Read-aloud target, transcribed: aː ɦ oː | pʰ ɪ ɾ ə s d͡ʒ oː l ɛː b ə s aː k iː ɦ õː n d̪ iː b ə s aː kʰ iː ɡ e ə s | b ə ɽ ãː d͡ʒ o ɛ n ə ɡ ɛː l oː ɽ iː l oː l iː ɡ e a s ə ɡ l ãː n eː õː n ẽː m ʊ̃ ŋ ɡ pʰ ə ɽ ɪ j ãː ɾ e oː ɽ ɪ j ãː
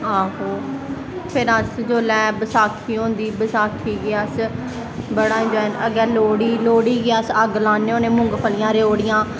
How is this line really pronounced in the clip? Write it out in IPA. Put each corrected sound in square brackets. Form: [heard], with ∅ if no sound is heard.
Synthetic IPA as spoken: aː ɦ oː | pʰ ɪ ɾ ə s d͡ʒ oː l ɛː b ə s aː [kʰ] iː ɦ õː n d̪ iː b ə s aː kʰ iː ɡ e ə s | b ə ɽ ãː d͡ʒ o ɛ n ə ɡ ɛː l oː ɽ iː l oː [ɽ] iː ɡ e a s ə ɡ l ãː n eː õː n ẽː m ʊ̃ ŋ ɡ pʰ ə [l] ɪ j ãː ɾ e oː ɽ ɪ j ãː